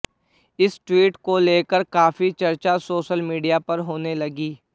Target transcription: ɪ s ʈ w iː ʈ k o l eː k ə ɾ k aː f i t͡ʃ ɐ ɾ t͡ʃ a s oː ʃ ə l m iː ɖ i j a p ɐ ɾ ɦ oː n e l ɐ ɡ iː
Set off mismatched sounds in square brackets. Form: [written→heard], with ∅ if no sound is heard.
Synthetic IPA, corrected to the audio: ɪ s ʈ w iː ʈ k o l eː k ə ɾ k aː f i t͡ʃ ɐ ɾ t͡ʃ a s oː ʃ ə l m iː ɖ i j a p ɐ ɾ ɦ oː n e l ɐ ɡ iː